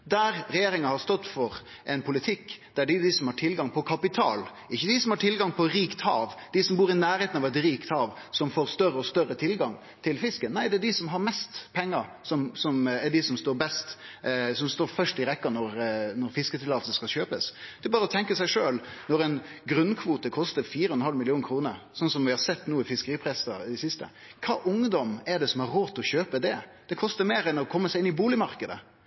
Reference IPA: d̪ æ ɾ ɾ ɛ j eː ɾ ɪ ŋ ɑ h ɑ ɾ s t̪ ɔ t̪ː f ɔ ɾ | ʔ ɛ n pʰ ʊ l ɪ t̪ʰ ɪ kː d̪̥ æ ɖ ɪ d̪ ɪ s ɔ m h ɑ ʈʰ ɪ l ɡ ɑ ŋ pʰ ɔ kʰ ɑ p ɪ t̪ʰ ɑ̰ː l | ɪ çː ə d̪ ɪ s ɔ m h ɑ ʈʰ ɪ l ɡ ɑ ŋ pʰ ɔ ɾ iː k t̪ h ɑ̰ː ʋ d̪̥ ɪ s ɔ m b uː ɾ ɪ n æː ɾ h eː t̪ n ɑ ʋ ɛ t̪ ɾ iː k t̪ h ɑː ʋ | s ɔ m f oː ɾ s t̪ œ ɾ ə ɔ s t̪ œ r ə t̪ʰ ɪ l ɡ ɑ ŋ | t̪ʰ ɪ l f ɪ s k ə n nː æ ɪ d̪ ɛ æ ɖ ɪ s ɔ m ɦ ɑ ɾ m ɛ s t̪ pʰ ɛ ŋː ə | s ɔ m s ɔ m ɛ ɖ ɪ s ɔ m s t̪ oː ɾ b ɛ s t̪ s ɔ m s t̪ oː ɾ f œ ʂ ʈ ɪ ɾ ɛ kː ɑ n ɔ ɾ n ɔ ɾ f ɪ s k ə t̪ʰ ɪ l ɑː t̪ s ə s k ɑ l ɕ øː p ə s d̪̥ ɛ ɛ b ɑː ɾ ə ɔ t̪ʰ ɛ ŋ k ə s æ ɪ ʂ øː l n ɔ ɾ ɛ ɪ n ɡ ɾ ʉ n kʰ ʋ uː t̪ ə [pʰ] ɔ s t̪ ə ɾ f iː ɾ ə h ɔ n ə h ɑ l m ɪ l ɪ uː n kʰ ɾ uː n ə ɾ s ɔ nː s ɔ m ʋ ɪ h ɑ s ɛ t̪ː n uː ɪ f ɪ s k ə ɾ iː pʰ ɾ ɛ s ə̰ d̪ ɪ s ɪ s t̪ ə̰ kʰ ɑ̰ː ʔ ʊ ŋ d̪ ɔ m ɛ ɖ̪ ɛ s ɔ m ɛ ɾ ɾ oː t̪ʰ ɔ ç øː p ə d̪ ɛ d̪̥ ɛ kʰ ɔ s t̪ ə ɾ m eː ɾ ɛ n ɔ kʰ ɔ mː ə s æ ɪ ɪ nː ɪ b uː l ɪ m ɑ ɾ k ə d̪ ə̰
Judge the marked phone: incorrect: kʰ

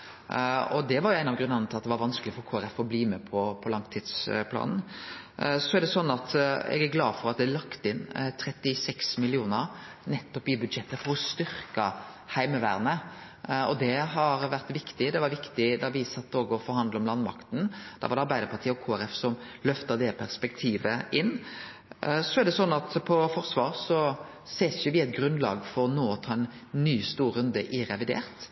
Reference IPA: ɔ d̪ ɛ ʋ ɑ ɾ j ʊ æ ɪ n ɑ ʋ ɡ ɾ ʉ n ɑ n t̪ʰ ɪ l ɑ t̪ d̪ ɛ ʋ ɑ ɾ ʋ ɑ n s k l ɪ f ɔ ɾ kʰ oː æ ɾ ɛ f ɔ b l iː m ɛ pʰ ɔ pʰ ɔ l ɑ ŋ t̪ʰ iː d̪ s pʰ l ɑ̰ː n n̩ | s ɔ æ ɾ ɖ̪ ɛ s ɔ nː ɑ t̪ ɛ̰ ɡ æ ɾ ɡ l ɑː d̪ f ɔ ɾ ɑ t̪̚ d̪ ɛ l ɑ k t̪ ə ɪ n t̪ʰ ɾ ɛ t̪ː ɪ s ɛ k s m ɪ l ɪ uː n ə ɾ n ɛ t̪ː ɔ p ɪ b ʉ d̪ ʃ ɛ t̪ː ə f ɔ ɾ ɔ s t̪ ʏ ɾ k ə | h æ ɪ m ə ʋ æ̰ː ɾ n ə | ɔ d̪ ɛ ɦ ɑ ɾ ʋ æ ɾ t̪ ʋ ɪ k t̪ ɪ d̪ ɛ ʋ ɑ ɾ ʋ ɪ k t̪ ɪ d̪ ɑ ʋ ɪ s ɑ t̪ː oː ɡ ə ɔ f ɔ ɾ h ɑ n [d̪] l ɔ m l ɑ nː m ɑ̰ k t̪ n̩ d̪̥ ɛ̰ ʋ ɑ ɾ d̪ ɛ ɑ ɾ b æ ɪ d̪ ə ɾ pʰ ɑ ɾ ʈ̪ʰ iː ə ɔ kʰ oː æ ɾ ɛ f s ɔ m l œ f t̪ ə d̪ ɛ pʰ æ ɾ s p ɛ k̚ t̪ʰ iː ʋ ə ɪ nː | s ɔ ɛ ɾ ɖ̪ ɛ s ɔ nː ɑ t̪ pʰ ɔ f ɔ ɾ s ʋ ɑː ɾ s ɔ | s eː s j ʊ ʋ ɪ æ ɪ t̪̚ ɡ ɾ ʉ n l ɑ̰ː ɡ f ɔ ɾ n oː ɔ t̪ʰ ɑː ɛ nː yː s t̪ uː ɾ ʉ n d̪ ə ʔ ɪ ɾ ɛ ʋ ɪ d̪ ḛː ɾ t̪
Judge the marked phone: correct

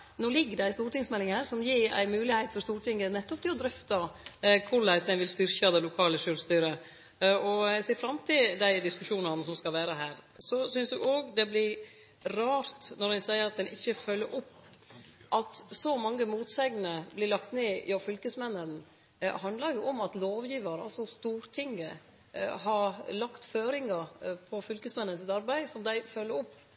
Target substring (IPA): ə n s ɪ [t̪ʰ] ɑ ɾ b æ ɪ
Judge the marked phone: incorrect: t̪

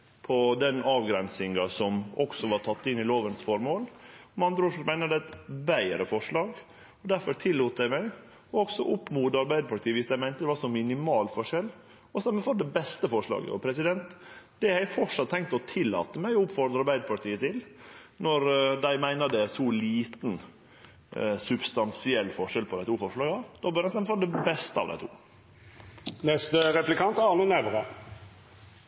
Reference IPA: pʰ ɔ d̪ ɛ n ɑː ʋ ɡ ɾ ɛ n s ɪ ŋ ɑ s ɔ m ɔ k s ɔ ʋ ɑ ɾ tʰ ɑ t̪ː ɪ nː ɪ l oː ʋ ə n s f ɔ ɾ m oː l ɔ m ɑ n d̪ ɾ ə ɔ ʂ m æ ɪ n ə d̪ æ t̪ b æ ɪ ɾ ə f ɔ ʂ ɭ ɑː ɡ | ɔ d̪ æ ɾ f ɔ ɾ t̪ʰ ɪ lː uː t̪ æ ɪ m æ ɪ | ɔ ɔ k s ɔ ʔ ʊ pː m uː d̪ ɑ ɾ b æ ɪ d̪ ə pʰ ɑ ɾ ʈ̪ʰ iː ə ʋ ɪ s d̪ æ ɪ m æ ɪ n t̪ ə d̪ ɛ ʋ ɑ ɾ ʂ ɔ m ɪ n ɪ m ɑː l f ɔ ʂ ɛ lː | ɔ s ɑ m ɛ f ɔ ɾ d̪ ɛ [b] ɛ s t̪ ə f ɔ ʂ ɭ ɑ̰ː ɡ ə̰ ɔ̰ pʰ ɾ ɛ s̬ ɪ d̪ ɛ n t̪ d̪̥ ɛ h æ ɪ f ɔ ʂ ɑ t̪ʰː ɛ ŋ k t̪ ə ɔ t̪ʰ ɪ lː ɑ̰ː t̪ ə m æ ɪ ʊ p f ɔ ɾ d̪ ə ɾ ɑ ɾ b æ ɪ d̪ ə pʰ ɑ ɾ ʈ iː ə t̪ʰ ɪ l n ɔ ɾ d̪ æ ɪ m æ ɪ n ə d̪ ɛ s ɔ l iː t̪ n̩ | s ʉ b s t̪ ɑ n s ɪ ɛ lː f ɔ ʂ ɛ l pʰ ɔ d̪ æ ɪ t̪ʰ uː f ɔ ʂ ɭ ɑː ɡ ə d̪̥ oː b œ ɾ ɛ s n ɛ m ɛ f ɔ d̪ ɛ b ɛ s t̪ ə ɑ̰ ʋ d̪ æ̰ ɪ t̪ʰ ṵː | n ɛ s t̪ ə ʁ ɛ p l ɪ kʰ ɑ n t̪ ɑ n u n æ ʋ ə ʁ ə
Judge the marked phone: correct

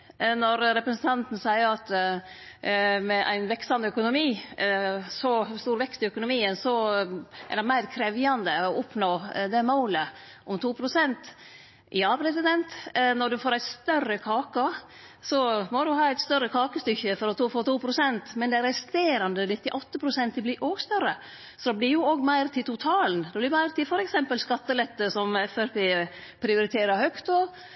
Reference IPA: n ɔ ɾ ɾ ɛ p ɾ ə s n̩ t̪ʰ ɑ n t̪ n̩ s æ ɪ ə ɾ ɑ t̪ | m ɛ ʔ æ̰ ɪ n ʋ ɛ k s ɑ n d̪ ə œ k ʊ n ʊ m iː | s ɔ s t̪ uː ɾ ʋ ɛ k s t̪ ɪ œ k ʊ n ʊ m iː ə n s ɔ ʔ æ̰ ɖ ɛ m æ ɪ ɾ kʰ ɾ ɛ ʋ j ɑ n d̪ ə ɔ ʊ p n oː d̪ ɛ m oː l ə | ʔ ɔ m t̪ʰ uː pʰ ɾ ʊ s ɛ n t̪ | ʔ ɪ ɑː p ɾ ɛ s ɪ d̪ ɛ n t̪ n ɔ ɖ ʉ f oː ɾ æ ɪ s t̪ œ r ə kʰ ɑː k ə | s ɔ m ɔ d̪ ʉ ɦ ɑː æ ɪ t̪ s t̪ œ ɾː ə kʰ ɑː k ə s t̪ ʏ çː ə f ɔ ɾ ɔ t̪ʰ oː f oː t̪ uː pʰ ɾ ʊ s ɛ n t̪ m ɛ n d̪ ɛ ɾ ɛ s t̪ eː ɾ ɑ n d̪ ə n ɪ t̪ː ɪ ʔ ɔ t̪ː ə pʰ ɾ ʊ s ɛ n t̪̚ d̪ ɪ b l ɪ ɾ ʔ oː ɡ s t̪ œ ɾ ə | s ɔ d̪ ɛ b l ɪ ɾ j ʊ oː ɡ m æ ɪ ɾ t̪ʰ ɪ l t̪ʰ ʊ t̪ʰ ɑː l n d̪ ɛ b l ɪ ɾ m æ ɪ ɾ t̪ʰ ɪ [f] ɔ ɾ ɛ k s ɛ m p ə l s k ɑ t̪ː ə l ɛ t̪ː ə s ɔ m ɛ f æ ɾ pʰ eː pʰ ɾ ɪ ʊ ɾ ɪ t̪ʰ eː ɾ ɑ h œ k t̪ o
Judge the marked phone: correct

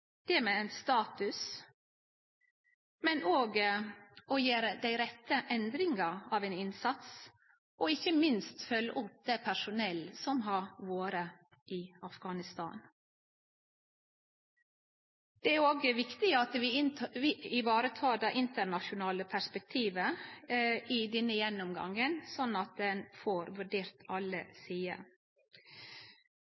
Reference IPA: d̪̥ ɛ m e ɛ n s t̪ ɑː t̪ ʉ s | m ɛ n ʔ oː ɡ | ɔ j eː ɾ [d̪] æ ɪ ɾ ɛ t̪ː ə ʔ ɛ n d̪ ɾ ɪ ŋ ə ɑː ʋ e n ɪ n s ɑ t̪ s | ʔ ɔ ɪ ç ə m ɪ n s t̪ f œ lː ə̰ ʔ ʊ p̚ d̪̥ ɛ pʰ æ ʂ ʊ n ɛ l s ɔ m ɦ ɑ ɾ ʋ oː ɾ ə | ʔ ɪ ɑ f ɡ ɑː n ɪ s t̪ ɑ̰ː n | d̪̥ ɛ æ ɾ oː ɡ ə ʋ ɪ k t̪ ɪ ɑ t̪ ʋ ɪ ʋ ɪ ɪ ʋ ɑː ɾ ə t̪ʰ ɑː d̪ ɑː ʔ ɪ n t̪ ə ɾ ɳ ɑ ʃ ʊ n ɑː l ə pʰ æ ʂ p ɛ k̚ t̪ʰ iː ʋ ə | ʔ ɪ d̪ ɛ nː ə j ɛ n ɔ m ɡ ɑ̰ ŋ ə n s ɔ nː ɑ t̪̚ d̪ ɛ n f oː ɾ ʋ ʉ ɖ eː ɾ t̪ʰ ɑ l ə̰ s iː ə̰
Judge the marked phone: correct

